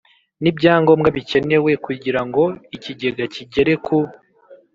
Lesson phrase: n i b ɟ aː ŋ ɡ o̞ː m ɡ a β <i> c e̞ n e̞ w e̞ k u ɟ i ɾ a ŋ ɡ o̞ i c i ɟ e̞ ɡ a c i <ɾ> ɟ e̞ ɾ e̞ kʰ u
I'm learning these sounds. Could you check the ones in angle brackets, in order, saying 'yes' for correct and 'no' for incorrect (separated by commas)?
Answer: yes, no